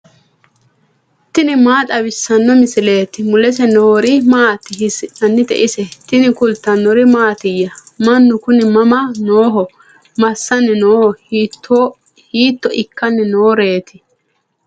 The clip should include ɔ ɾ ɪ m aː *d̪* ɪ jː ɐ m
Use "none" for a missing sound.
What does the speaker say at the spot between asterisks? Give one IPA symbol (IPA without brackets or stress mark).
t̪